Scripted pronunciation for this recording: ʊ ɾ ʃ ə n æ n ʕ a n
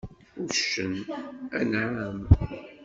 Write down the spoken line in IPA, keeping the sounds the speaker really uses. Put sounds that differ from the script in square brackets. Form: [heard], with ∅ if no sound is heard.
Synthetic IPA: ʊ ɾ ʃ ə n æ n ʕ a [m]